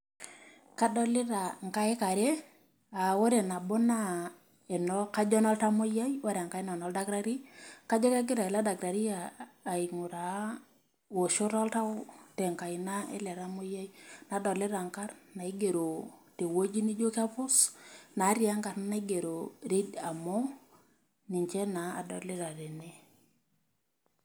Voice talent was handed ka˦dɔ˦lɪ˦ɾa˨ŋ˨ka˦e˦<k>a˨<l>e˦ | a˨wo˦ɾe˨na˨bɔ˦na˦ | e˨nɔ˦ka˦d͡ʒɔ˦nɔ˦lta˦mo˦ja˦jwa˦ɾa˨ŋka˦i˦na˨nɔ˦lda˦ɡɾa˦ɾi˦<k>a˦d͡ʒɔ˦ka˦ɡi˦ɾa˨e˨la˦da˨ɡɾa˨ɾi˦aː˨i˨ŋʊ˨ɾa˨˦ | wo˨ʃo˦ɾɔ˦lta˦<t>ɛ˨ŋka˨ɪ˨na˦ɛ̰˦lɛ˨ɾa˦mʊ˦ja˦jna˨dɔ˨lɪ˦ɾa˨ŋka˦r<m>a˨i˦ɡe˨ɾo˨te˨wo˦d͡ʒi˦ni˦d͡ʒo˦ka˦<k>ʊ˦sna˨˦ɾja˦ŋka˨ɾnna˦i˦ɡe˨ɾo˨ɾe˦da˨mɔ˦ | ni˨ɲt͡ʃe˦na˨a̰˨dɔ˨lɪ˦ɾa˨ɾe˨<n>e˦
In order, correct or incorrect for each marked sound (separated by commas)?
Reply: correct, incorrect, correct, correct, incorrect, incorrect, correct